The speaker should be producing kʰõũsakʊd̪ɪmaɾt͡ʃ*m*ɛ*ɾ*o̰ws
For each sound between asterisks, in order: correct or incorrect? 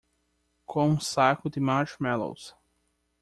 correct, incorrect: l

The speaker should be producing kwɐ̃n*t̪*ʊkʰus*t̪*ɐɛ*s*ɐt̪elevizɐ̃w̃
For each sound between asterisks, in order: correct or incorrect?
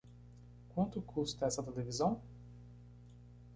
correct, correct, correct

